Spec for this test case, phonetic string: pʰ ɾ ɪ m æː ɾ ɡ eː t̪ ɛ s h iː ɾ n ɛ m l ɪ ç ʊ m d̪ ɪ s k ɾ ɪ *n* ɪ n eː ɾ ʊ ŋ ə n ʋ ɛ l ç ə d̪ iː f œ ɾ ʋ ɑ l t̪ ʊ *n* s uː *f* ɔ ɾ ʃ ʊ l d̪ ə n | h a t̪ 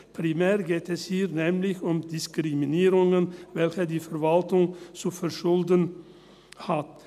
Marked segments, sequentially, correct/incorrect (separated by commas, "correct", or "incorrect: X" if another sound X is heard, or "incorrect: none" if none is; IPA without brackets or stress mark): incorrect: m, incorrect: ŋ, correct